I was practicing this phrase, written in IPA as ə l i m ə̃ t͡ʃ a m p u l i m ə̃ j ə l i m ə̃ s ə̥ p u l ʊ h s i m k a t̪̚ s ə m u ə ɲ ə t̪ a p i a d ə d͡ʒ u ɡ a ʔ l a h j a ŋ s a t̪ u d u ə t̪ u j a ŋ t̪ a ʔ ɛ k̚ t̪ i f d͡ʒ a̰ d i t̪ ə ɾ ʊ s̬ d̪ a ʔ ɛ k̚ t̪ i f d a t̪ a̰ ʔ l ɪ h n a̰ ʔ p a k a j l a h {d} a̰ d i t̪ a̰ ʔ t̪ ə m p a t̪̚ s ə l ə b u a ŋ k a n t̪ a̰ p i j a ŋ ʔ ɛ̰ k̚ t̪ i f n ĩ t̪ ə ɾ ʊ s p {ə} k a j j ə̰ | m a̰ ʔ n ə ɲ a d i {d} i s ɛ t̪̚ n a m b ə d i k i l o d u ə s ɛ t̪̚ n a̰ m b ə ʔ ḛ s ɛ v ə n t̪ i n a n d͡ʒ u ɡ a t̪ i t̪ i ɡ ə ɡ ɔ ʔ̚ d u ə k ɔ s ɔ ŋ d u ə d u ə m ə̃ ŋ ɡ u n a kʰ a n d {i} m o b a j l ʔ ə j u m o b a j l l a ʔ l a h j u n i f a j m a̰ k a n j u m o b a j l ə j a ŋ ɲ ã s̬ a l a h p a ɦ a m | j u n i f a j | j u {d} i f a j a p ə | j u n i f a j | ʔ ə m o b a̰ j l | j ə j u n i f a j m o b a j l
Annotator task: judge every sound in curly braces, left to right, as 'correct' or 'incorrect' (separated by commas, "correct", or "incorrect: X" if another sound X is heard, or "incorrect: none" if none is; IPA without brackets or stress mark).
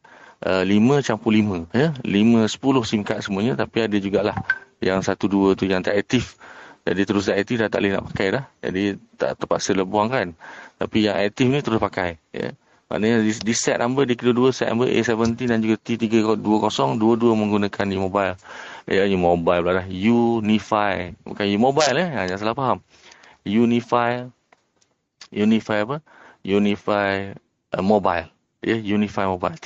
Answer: incorrect: d͡ʒ, incorrect: a, correct, correct, incorrect: n